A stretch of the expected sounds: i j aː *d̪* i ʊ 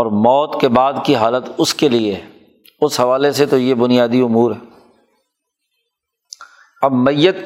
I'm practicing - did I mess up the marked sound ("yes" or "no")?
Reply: no